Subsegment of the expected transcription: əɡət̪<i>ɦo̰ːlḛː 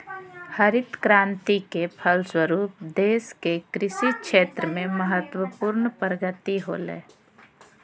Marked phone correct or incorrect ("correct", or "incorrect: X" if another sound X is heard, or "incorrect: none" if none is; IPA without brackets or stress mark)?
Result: correct